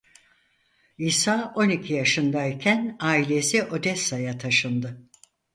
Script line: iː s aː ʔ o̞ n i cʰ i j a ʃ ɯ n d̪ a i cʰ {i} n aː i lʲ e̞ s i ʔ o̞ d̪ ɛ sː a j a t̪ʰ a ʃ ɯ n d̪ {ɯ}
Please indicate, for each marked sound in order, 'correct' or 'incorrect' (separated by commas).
incorrect, correct